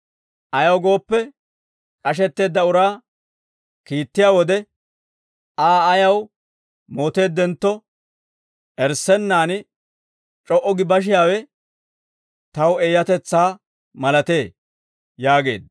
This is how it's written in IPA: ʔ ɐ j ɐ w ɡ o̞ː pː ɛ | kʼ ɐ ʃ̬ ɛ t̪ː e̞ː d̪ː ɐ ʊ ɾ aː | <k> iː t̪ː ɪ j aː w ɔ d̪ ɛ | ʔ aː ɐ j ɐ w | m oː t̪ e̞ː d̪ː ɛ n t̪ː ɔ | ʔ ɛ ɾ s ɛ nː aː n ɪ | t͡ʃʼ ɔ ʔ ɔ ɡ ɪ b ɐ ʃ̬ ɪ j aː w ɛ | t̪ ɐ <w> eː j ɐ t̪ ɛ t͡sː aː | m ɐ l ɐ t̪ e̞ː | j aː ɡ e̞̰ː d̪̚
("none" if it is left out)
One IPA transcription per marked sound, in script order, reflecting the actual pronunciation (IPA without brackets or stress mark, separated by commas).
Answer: k, w